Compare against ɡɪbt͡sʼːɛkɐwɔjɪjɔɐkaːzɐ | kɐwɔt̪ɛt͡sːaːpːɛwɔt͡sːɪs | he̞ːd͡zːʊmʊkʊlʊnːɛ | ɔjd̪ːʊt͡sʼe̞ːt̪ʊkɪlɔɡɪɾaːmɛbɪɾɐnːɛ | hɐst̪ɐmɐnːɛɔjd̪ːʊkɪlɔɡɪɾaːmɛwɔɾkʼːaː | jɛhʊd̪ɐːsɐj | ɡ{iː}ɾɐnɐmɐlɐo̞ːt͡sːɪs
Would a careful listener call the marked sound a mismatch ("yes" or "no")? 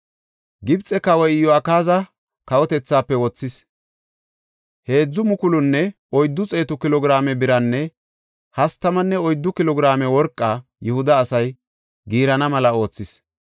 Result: no